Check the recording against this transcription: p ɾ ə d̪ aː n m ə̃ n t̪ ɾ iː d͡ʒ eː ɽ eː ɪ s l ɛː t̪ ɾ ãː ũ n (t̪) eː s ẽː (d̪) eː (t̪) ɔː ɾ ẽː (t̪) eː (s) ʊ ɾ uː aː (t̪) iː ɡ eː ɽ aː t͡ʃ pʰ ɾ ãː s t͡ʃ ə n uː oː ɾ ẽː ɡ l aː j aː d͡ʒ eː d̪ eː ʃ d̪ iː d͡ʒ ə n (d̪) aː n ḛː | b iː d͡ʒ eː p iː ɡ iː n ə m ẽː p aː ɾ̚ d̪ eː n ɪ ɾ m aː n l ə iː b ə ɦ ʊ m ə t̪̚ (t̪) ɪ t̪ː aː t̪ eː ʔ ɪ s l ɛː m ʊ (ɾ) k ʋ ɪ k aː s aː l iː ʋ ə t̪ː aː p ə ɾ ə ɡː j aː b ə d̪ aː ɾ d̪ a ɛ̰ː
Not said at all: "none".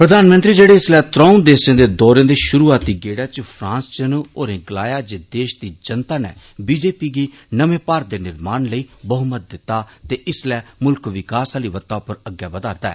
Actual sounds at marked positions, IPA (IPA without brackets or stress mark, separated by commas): d̪, d̪, d̪, d̪, ʃ, t̪, t̪, d̪, l